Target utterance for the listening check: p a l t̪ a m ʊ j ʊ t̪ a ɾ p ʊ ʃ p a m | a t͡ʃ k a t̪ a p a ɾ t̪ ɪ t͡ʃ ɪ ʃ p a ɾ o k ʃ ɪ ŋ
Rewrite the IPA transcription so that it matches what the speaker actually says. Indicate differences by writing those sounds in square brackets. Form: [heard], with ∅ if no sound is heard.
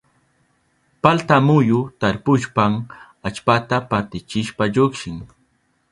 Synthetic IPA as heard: p a l t̪ a m ʊ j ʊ t̪ a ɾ p ʊ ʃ p a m | a t͡ʃ [p] a t̪ a p a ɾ t̪ ɪ t͡ʃ ɪ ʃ p a [ʎ] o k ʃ ɪ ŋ